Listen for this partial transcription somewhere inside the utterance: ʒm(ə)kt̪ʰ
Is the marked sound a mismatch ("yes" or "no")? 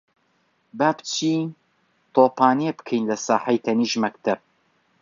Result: yes